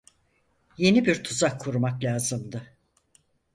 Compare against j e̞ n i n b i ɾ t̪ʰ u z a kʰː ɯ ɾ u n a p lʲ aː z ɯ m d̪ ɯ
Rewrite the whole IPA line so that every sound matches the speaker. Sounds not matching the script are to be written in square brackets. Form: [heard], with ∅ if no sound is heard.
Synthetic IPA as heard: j e̞ n i [∅] b i ɾ t̪ʰ u z a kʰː [u] ɾ u [m] a [k] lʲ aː z ɯ m d̪ ɯ